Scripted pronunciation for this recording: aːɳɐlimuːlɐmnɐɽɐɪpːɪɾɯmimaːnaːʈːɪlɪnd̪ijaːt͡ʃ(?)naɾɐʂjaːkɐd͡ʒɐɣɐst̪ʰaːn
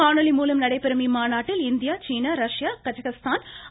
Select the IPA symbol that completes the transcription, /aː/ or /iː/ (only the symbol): iː